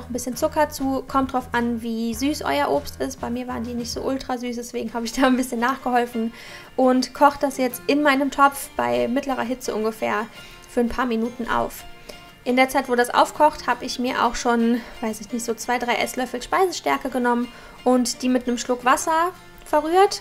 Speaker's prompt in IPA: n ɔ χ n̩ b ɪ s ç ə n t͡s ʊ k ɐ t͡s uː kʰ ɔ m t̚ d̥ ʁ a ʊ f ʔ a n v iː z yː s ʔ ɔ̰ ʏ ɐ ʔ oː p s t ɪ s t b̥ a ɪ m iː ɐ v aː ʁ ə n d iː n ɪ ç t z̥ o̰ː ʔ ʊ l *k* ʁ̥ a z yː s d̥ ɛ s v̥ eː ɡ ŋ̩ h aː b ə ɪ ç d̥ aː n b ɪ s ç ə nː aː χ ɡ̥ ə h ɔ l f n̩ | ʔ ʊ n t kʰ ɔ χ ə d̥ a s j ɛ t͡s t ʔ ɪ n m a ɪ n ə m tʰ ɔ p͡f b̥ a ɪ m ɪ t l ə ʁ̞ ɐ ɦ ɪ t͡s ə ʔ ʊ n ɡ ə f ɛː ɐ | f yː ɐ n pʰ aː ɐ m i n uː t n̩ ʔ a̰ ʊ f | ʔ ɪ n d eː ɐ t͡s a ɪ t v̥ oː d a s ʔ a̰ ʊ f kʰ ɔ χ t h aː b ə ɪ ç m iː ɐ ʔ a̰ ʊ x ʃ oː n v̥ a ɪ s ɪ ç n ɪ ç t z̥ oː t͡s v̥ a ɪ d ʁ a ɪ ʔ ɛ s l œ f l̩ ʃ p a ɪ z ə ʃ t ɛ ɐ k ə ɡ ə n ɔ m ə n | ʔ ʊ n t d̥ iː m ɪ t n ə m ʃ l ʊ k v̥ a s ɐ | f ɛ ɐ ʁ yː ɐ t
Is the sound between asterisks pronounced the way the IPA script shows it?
no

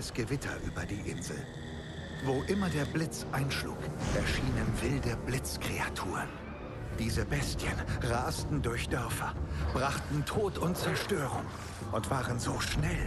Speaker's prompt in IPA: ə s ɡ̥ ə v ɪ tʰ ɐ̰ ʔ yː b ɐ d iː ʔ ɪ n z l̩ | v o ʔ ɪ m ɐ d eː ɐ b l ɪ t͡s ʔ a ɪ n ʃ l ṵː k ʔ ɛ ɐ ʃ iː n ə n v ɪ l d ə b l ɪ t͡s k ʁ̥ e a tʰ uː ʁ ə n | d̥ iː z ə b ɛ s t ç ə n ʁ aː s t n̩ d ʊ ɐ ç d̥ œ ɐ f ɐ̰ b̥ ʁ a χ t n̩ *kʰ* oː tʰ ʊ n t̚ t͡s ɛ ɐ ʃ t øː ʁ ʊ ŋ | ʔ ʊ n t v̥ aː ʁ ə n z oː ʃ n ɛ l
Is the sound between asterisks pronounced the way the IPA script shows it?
no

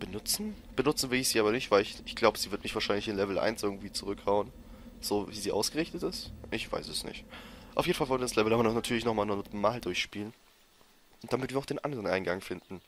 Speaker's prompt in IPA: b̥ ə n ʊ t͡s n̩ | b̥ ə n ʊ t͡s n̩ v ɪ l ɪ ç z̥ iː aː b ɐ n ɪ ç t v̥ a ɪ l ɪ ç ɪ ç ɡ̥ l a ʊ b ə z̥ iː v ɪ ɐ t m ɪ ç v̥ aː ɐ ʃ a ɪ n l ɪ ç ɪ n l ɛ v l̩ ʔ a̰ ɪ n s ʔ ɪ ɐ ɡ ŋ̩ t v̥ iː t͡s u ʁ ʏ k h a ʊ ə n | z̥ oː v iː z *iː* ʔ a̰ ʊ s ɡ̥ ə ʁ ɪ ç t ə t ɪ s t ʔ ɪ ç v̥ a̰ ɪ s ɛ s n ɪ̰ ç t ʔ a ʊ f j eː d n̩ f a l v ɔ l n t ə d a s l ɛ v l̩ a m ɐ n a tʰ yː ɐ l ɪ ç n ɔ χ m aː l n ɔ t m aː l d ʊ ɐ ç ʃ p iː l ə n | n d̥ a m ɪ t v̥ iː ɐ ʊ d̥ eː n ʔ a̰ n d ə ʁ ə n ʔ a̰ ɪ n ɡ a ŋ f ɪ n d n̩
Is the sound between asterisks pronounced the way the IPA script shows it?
yes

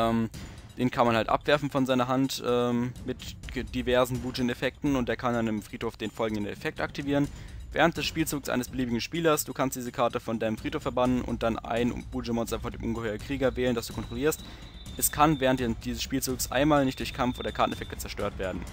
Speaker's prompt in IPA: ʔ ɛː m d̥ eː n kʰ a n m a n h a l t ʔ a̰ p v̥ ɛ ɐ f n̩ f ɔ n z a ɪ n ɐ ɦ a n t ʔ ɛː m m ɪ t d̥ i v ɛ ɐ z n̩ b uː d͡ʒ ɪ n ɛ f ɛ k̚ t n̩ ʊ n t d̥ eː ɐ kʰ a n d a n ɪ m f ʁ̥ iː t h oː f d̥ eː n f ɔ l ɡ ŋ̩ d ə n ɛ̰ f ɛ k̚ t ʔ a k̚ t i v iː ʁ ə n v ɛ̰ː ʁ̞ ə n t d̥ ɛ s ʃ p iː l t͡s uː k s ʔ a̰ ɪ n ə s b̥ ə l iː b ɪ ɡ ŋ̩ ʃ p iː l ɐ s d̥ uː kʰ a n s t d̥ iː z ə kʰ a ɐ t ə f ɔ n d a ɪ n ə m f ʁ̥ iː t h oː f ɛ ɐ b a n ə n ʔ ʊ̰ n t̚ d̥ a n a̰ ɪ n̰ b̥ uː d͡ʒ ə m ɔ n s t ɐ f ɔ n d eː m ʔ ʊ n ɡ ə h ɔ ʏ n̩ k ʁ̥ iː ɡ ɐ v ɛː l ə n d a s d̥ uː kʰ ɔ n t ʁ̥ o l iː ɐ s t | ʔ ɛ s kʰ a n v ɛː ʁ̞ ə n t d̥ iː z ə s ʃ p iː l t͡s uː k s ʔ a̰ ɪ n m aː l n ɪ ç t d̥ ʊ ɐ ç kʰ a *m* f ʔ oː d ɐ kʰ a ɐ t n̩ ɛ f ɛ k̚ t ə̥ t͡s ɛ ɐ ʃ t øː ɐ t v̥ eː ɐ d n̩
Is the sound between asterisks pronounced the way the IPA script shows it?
yes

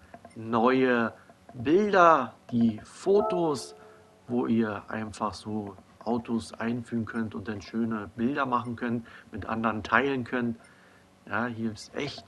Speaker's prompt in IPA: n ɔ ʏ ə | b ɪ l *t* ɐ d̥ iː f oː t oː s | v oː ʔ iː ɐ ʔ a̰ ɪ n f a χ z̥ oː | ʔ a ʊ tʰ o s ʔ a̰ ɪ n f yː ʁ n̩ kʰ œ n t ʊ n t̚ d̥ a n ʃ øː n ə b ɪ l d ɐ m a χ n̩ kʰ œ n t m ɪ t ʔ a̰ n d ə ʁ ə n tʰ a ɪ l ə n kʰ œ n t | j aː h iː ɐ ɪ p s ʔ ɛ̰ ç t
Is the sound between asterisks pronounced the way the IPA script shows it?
no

